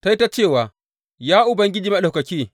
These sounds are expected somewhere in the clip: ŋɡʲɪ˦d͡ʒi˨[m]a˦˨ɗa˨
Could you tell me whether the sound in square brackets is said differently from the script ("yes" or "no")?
no